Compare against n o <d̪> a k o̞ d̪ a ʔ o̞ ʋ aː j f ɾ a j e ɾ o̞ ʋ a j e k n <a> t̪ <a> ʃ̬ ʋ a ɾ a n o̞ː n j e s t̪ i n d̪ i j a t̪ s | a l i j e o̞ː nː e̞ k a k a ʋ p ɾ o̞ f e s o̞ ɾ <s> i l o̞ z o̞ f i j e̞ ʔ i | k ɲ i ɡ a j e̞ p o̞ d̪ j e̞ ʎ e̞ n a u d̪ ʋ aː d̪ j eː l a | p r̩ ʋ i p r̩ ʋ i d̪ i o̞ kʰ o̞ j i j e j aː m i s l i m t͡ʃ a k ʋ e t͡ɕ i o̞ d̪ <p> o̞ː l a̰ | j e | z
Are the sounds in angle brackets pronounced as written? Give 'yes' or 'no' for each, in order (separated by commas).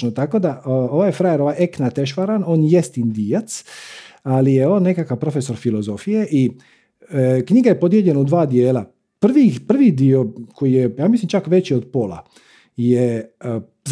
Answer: no, yes, no, no, yes